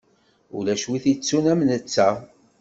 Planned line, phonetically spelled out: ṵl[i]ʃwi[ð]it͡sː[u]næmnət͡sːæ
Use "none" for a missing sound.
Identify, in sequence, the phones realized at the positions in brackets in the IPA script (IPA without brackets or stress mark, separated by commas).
æ, θ, u